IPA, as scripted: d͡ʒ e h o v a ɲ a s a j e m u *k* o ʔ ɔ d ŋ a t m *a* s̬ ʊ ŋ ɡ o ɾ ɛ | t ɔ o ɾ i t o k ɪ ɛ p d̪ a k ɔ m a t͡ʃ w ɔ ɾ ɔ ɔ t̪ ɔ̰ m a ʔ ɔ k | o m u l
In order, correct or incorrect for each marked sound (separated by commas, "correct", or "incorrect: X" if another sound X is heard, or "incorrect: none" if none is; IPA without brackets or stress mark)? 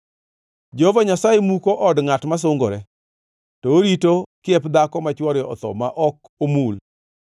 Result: correct, correct